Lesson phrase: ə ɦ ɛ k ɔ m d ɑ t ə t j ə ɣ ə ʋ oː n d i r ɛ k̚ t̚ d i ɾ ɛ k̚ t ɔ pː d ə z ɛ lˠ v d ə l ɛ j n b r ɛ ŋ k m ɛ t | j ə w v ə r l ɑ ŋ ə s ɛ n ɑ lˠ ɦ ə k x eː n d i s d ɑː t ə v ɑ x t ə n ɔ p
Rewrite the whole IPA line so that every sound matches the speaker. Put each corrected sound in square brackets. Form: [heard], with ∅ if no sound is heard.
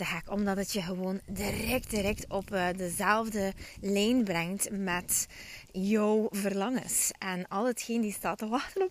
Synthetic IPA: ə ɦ ɛ k ɔ m d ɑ t ə t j ə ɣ ə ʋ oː n d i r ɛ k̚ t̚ d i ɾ ɛ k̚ t ɔ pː d ə z ɛ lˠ v d ə l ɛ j n b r ɛ ŋ [t] m ɛ t | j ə w v ə r l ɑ ŋ ə s ɛ n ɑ lˠ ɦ ə [t] x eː n d i s [t] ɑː t ə [ʋ] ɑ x t ə n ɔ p